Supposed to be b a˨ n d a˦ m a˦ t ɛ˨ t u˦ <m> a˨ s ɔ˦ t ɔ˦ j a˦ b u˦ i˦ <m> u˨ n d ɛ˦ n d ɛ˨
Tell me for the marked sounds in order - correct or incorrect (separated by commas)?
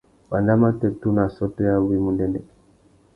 incorrect, correct